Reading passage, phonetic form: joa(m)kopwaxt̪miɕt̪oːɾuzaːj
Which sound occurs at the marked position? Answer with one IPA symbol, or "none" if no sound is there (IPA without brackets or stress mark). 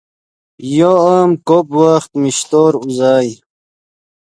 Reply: m